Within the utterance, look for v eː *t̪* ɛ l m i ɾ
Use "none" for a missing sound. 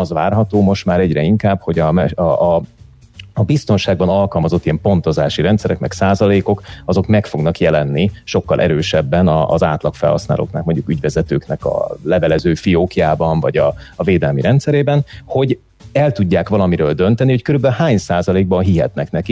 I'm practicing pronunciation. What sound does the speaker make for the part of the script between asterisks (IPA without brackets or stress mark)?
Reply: d̪